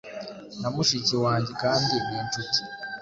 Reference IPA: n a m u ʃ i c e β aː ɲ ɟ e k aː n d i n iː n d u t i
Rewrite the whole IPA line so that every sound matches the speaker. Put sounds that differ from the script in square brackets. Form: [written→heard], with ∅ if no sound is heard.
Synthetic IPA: n a m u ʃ i c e [β→w] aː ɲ ɟ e k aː n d i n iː n [d→t] u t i